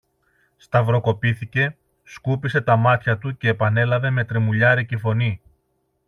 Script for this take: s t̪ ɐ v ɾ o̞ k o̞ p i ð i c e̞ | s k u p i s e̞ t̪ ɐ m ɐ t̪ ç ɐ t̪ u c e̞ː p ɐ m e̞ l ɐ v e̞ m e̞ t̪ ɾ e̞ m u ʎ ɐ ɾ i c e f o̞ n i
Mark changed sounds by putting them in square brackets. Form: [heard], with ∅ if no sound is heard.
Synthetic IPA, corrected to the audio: s t̪ ɐ v ɾ o̞ k o̞ p i [θ] i c e̞ | s k u p i s e̞ t̪ ɐ m ɐ t̪ ç ɐ t̪ u c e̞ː p ɐ [n] e̞ l ɐ v e̞ m e̞ t̪ ɾ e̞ m u ʎ ɐ ɾ i c e f o̞ n i